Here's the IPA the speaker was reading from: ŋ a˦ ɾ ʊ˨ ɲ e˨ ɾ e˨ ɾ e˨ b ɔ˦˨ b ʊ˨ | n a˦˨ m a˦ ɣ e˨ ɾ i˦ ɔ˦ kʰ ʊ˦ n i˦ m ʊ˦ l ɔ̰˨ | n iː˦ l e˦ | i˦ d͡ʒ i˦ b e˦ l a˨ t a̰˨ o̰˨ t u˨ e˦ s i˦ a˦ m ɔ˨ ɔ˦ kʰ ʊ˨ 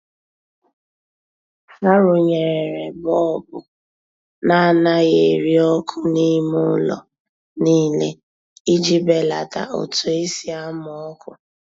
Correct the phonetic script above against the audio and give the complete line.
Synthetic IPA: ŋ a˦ ɾ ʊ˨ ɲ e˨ ɾ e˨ ɾ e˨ b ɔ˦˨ b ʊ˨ | n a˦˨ n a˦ ɣ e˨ ɾ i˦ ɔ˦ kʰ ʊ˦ n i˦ m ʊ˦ l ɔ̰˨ | n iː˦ l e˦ | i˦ d͡ʒ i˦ b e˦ l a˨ t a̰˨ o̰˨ t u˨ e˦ s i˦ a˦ m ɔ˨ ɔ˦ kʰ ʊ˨

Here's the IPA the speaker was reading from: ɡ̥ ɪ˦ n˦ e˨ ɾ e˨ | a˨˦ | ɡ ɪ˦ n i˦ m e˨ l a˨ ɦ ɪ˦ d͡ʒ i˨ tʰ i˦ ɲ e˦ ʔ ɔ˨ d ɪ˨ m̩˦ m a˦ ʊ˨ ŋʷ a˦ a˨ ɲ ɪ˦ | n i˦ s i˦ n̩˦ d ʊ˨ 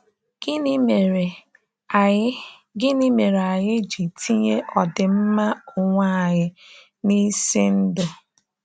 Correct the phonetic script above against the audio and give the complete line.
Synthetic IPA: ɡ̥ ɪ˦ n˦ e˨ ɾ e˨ | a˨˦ | ɡ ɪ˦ n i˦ m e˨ ɾ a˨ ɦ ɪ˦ d͡ʒ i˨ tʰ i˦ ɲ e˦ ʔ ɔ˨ d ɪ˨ m̩˦ m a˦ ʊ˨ ŋʷ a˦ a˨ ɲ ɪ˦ | n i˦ s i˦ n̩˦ d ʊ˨

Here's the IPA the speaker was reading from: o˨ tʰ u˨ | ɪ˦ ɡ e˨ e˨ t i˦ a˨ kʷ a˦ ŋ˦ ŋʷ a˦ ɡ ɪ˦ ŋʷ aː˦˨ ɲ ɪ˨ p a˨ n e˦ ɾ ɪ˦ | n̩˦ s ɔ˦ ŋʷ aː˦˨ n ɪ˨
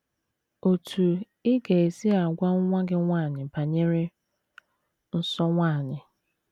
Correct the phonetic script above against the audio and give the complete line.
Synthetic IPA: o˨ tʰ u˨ | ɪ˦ ɡ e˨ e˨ s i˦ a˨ ɡʷ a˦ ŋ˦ ŋʷ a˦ ɡ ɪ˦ ŋʷ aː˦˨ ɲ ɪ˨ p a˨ ɲ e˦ ɾ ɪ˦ | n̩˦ s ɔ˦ ŋʷ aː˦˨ ɲ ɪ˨

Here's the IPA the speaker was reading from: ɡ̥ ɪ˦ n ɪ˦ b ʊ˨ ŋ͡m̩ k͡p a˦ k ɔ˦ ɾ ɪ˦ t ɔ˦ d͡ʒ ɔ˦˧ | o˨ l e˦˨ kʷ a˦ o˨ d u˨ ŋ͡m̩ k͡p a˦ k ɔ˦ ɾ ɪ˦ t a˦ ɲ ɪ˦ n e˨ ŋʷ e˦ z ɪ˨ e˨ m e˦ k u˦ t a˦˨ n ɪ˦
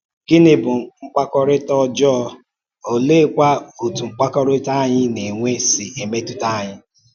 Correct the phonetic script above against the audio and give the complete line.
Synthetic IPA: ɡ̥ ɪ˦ n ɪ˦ b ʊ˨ ŋ͡m̩ k͡p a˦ k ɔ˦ ɾ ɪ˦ t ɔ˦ d͡ʒ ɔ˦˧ | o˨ l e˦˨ kʷ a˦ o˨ t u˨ ŋ͡m̩ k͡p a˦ k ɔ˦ ɾ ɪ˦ t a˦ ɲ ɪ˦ n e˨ ŋʷ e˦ s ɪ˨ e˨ m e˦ t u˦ t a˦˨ ɲ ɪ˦

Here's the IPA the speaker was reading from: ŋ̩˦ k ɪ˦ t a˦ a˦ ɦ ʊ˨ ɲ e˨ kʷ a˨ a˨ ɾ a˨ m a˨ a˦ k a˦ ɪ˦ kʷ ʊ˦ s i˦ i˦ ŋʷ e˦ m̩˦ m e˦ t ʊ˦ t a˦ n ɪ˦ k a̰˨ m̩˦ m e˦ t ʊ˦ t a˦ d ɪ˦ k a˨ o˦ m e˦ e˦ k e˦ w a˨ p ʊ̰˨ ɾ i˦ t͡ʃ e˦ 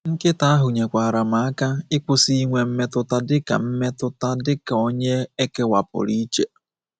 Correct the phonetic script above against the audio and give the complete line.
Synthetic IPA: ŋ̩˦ k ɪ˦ t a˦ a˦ ɦ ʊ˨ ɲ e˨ kʷ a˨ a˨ ɾ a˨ m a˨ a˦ k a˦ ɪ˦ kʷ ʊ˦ s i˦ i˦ ŋʷ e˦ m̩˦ m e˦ t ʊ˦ t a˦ d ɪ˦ k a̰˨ m̩˦ m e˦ t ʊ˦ t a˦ d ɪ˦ k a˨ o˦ ɲ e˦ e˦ k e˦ w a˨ p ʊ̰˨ ɾ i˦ t͡ʃ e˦

